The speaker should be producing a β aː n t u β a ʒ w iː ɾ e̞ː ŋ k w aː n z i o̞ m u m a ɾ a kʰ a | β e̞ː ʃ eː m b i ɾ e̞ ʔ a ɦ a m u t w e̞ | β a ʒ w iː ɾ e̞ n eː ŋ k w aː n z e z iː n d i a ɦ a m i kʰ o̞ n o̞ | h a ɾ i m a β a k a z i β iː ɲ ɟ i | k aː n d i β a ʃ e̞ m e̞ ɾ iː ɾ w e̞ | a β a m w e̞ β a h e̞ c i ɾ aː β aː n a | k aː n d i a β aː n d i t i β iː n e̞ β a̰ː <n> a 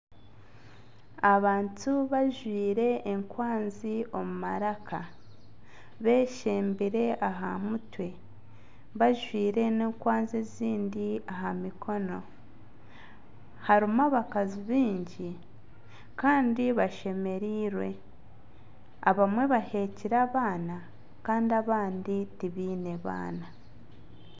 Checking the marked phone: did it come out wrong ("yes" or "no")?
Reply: no